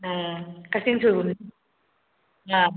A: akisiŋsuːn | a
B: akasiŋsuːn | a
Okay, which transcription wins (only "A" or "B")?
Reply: B